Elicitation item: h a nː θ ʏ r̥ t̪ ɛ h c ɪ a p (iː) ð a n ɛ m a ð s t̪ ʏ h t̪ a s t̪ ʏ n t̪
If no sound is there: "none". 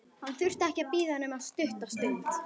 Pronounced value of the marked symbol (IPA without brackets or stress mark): iː